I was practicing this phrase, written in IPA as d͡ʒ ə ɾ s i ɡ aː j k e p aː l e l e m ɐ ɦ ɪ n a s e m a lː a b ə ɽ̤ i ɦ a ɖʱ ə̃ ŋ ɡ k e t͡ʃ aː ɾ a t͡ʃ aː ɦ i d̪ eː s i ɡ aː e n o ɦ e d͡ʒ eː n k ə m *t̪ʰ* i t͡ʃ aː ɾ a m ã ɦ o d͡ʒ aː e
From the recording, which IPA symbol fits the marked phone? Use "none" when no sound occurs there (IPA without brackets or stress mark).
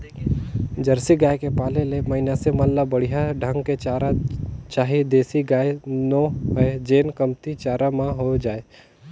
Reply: t̪